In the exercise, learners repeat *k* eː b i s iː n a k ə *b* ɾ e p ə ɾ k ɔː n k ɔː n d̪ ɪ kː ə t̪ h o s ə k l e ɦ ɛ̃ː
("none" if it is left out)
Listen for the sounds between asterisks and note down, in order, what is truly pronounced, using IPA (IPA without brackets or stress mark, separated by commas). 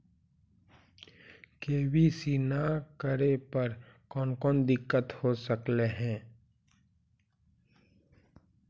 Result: k, none